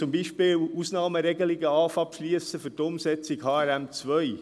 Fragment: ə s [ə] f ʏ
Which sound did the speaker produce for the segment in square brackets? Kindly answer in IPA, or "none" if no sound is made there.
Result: ə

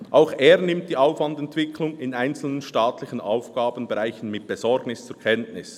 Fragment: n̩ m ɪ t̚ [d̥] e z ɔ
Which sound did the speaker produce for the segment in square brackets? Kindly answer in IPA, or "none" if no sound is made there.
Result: b̥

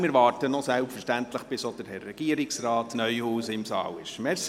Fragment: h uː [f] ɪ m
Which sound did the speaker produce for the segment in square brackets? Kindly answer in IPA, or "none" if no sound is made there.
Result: s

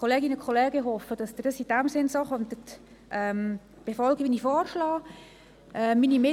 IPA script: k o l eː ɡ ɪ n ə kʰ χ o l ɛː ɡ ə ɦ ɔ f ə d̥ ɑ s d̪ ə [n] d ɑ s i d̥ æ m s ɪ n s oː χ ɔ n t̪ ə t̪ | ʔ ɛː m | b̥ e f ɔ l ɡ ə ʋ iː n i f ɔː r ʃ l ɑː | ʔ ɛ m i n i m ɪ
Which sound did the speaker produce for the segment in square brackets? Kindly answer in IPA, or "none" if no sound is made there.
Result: none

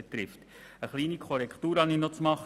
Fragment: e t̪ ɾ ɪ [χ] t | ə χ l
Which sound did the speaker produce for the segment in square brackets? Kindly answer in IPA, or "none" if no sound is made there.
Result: f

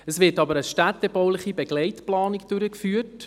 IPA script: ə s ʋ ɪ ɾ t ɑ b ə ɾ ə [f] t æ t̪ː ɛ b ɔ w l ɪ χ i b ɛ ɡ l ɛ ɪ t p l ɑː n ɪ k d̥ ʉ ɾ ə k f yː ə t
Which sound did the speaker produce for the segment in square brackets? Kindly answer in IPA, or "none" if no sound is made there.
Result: ʃ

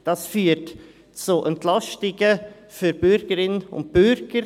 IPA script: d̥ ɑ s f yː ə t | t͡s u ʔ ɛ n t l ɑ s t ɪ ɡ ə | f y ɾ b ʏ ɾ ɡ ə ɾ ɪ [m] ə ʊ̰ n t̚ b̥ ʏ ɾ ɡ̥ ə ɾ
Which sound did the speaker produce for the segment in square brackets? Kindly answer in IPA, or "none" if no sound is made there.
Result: n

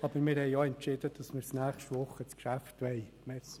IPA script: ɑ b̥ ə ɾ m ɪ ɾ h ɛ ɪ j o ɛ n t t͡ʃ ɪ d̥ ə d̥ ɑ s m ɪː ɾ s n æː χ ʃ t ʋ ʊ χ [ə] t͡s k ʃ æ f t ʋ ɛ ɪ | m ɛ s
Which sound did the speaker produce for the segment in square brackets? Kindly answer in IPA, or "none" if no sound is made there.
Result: ə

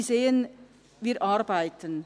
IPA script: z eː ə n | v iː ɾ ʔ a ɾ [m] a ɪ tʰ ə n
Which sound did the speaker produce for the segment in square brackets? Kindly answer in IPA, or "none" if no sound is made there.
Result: b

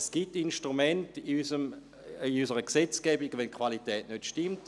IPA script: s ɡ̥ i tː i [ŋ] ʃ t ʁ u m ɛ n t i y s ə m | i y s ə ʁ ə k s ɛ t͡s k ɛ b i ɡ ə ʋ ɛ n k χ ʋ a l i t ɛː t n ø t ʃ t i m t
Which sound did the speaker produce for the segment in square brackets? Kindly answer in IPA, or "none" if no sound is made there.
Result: n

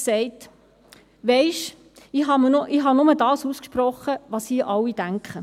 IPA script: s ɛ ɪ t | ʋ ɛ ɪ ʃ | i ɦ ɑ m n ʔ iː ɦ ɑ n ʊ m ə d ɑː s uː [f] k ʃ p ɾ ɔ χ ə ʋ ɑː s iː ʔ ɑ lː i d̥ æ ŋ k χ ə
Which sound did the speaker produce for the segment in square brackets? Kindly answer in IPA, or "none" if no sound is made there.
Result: s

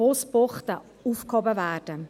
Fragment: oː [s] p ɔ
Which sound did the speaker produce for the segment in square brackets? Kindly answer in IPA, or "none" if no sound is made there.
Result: s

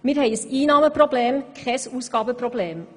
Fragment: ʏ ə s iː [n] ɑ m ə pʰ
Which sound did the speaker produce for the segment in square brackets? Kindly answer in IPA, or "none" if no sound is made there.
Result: n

